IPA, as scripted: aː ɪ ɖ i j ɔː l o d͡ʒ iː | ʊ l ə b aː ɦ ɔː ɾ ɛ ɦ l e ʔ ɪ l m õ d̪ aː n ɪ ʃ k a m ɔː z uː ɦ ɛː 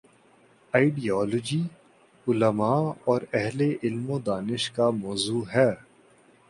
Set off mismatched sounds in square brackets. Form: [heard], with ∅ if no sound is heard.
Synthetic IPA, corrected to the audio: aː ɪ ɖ i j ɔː l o d͡ʒ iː | ʊ l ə [m] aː [∅] ɔː ɾ ɛ ɦ l e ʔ ɪ l m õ d̪ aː n ɪ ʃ k a m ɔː z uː ɦ ɛː